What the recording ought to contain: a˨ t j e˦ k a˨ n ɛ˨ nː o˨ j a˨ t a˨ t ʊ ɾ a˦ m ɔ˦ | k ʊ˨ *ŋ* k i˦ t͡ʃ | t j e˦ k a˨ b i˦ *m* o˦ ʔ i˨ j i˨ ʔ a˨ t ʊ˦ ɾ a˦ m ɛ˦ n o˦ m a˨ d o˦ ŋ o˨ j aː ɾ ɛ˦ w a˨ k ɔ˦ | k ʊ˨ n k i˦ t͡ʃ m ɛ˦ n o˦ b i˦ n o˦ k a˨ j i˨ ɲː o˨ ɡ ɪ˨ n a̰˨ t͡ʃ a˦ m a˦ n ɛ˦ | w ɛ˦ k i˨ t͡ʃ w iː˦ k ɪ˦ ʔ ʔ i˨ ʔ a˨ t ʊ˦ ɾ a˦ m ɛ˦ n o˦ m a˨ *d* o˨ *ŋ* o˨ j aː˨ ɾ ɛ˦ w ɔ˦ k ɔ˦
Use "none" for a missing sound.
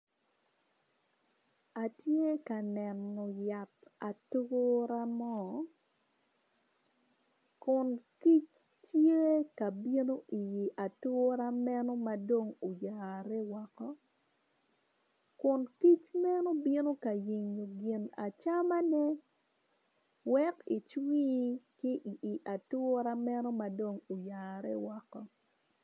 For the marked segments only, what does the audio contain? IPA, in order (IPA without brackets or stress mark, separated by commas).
n, n, d, ŋ